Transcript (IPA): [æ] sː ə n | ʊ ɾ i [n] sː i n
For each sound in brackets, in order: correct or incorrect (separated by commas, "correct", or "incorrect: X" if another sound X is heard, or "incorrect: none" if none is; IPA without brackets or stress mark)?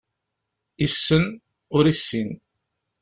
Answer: incorrect: i, incorrect: none